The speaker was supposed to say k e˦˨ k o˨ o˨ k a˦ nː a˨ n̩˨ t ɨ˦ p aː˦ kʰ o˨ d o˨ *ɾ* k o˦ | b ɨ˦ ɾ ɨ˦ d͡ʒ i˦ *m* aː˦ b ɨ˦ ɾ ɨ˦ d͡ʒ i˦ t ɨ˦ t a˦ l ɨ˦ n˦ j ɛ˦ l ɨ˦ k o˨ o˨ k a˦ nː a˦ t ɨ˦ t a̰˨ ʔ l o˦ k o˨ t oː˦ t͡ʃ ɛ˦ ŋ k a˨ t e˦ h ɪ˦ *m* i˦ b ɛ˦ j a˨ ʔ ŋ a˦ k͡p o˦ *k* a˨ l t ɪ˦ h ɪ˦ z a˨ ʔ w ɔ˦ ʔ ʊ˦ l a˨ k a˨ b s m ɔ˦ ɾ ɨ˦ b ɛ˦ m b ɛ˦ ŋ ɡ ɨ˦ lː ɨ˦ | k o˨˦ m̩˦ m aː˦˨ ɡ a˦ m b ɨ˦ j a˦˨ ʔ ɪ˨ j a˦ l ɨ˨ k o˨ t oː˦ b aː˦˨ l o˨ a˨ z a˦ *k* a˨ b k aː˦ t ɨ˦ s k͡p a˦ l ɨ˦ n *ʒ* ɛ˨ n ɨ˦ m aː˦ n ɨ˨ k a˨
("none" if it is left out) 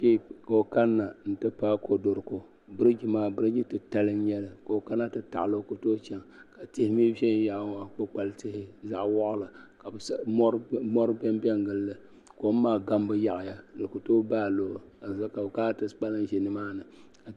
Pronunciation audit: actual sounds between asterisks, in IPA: ɾ, m, m, k͡p, k, ʒ

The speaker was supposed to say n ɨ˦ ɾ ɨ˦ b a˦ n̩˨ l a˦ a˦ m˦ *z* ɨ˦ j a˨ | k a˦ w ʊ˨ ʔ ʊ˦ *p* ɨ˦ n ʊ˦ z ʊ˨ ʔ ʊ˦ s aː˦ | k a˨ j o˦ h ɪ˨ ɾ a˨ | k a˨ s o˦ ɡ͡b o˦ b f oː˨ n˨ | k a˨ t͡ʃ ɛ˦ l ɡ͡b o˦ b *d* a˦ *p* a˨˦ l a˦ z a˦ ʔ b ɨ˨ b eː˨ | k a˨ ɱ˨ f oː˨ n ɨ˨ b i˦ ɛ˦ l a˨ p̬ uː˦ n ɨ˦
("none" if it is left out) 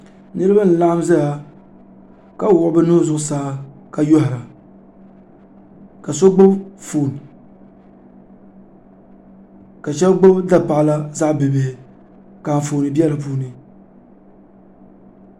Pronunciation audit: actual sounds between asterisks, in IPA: z, b, d, p

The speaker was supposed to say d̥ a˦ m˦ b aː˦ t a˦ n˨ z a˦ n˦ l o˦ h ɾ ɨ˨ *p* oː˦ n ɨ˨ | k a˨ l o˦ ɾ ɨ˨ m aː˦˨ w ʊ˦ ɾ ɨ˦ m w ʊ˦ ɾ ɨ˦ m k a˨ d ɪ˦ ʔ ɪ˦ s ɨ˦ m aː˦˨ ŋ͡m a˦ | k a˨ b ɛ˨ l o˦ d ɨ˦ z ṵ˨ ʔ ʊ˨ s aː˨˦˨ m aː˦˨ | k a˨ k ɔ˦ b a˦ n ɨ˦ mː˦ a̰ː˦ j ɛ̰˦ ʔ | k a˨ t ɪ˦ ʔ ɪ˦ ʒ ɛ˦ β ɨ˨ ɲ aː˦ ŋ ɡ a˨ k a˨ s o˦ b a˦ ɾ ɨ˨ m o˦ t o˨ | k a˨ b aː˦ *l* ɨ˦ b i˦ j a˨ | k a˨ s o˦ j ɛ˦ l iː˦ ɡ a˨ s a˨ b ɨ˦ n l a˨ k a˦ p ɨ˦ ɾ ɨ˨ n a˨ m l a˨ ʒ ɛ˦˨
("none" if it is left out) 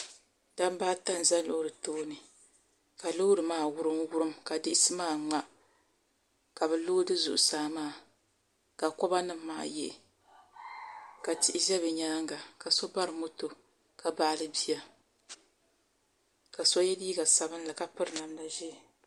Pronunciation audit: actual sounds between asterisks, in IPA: t, l

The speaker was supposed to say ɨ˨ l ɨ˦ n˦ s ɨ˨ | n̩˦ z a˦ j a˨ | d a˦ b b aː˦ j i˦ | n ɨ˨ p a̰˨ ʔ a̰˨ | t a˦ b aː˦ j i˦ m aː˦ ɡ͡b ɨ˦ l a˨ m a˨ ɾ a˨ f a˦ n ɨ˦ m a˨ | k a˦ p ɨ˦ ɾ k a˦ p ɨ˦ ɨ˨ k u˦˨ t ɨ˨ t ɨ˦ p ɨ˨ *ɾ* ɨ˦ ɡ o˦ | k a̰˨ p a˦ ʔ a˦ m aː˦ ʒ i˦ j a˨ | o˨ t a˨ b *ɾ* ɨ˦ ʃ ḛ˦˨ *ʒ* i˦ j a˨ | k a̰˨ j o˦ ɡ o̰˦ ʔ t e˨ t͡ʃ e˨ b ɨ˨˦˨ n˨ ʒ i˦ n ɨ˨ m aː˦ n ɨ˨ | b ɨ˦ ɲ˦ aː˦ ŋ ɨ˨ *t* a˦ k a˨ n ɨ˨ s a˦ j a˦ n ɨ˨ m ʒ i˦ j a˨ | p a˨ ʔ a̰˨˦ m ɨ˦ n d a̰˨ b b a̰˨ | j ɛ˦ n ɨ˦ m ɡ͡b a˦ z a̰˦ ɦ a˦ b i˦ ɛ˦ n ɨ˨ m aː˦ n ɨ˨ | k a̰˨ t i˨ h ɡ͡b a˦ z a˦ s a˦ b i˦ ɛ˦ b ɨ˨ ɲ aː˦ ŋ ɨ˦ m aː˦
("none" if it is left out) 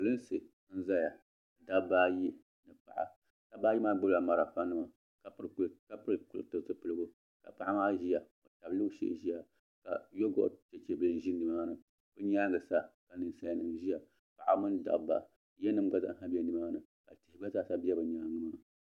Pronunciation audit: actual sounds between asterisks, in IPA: l, l, ʒ, s

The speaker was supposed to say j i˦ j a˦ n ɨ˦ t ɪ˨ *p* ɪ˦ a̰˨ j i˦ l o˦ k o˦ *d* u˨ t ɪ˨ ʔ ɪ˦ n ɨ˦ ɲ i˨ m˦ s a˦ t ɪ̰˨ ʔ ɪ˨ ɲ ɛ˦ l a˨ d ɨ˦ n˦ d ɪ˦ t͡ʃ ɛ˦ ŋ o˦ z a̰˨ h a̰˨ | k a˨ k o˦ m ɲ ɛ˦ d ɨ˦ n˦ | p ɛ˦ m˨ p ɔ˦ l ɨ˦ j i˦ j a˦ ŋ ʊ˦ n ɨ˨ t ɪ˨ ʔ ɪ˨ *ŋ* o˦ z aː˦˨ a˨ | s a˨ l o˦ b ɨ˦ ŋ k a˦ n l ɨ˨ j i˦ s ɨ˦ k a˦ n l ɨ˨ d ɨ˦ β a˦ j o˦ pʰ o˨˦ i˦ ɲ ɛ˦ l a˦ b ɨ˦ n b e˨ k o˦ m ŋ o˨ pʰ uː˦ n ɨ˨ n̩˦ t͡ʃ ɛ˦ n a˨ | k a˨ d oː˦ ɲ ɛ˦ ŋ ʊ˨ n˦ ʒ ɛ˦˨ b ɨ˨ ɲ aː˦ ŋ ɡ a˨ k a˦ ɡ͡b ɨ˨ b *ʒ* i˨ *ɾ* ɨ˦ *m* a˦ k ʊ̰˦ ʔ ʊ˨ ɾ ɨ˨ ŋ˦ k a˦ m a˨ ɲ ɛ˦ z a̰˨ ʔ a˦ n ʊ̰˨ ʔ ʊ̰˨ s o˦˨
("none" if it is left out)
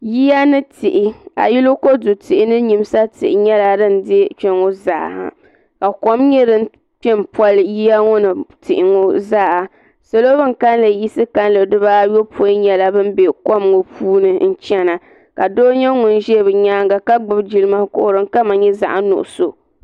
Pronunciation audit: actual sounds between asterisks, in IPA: ʔ, d, ŋ, d͡ʒ, l, m

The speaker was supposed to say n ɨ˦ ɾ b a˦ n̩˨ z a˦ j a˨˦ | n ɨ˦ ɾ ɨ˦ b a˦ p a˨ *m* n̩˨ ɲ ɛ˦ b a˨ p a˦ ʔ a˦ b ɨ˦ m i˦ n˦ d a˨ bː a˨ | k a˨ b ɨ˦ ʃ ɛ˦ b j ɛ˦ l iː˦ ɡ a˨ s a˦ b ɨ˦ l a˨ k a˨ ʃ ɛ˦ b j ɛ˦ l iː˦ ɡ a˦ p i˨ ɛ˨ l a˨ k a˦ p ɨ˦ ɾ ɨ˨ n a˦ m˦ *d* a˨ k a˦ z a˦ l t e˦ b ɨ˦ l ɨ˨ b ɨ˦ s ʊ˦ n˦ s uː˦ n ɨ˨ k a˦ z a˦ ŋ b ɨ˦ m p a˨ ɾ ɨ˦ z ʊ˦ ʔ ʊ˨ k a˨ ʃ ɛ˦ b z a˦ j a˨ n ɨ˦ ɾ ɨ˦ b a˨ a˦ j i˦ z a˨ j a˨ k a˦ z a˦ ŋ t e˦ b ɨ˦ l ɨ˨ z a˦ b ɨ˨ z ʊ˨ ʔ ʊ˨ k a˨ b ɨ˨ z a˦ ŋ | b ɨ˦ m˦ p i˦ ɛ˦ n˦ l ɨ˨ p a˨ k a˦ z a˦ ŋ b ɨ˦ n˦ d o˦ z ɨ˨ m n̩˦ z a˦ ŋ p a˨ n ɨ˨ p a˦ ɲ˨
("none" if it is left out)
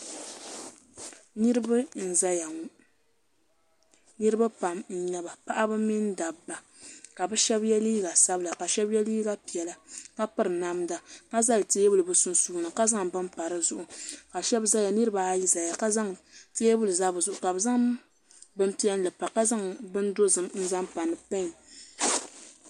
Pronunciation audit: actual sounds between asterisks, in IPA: m, d

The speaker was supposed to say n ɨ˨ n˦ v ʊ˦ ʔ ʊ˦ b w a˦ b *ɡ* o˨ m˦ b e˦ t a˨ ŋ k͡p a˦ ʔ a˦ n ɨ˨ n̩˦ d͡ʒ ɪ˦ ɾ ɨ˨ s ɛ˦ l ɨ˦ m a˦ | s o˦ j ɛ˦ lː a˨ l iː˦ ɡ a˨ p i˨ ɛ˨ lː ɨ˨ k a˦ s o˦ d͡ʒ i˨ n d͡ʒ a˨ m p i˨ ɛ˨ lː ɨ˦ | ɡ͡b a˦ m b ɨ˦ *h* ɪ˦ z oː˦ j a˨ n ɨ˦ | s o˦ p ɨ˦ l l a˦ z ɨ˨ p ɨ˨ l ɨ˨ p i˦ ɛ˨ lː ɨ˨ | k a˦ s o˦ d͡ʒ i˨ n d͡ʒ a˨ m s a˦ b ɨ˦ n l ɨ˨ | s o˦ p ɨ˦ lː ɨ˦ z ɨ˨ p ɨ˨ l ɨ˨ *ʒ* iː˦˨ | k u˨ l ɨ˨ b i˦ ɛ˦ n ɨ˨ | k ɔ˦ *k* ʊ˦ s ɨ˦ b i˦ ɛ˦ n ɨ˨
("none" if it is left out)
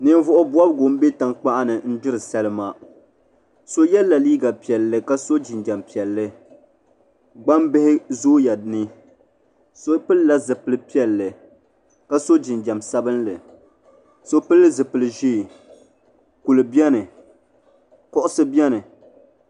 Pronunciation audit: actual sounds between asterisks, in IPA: ɡ, h, ʒ, ʔ

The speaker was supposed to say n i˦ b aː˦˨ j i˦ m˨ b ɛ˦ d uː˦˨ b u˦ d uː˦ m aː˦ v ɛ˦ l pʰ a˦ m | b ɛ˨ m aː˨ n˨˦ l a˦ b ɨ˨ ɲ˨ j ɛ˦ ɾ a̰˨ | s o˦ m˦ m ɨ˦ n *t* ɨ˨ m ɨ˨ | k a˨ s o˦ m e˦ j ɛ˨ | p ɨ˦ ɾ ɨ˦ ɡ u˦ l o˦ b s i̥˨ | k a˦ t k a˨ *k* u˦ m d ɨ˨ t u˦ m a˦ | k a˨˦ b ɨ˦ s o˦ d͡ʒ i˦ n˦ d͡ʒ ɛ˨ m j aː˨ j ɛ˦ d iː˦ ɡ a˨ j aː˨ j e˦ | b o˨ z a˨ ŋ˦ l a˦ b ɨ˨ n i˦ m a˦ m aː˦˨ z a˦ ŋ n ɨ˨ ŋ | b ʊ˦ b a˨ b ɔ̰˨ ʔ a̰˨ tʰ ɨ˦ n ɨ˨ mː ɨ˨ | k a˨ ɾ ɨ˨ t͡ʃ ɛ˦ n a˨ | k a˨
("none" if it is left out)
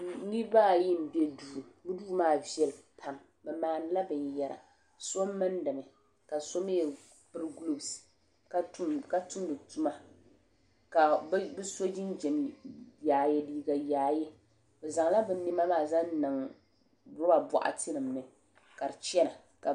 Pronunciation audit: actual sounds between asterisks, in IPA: d, t

